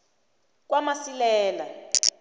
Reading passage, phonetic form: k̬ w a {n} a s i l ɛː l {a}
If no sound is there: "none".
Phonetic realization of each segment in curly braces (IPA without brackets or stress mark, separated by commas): m, a